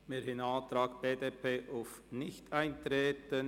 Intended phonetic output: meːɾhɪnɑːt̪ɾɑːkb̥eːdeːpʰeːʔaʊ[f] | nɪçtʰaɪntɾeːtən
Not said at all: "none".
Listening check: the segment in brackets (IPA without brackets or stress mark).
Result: f